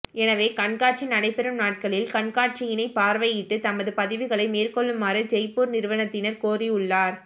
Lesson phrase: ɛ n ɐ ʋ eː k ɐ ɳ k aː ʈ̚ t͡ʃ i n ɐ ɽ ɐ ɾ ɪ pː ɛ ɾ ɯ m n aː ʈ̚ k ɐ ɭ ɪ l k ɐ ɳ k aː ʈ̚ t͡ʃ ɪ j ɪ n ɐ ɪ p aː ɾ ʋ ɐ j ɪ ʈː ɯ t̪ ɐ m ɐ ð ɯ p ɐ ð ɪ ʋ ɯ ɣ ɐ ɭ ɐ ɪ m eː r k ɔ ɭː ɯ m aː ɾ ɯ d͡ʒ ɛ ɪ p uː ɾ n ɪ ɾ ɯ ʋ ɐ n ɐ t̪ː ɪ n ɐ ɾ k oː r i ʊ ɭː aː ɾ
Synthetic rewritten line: ɛ n ɐ ʋ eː k ɐ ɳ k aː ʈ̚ t͡ʃ i n ɐ ɽ ɐ ɪ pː ɛ ɾ ɯ m n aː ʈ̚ k ɐ ɭ ɪ l k ɐ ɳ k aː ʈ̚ t͡ʃ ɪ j ɪ n ɐ ɪ p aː ɾ ʋ ɐ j ɪ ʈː ɯ t̪ ɐ m ɐ ð ɯ p ɐ ð ɪ ʋ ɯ ɣ ɐ ɭ ɐ ɪ m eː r k ɔ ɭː ɯ m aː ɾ ɯ d͡ʒ ɛ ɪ p uː ɾ n ɪ ɾ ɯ ʋ ɐ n ɐ t̪ː ɪ n ɐ ɾ k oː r i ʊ ɭː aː ɾ